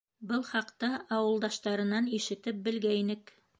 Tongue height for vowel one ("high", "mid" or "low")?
mid